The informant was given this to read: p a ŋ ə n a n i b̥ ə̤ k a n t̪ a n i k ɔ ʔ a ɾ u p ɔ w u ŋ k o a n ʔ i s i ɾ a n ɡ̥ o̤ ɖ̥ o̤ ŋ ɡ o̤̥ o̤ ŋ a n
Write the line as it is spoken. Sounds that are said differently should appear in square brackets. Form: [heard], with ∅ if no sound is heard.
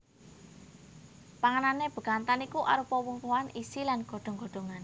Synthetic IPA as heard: p a ŋ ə n a n [e] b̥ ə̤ k a n t̪ a n i k [u] ʔ a ɾ u p ɔ w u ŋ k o a n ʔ i s i [l] a n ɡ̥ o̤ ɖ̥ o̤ ŋ ɡ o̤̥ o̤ ŋ a n